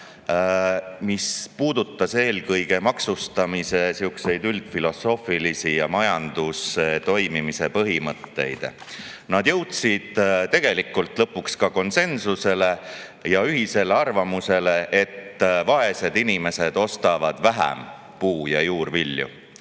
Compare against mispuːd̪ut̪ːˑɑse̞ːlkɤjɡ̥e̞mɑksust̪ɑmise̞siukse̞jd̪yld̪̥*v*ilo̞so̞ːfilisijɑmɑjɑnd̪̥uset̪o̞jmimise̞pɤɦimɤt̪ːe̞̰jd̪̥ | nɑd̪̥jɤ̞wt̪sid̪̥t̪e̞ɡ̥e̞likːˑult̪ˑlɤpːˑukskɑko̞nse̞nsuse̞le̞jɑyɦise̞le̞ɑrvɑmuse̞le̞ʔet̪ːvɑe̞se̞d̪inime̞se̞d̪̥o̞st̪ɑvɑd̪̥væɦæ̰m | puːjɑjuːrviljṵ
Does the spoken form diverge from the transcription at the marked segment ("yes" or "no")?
yes